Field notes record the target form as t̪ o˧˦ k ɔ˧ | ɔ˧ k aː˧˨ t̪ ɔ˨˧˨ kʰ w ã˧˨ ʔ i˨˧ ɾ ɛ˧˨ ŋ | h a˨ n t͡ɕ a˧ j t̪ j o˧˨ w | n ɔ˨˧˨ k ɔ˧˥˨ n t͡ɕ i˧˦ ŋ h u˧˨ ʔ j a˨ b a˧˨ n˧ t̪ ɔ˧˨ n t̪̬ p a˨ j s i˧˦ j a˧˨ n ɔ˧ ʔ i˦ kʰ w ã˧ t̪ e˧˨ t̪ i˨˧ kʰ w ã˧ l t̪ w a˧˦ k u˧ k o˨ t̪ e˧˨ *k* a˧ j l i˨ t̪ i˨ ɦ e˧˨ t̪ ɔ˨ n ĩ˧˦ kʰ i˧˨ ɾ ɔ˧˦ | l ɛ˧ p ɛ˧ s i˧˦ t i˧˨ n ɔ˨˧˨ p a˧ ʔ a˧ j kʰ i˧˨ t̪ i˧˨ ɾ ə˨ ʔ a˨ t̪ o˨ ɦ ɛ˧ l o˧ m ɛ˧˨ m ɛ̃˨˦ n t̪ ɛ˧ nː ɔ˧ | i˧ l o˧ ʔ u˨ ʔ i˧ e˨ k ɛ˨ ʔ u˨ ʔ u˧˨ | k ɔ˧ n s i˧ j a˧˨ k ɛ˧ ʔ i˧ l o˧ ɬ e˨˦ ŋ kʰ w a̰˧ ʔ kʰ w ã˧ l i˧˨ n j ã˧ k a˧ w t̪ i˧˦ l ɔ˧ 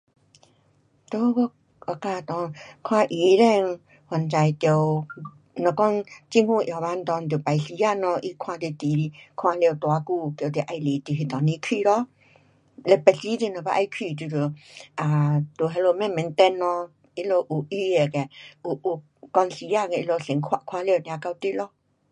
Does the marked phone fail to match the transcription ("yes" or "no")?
yes